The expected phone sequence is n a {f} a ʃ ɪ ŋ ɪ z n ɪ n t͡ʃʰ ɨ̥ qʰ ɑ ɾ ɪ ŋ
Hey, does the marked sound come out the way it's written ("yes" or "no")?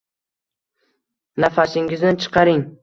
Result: yes